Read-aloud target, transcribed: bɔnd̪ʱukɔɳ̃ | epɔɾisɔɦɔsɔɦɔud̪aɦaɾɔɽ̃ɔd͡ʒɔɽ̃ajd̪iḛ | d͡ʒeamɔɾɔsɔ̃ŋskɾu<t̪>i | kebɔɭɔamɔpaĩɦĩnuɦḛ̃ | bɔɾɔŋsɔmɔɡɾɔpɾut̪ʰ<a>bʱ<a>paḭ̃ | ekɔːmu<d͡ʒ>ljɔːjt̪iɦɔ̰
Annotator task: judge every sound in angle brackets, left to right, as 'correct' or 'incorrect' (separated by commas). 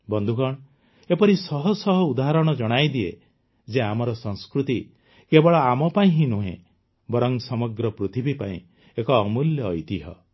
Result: correct, incorrect, incorrect, incorrect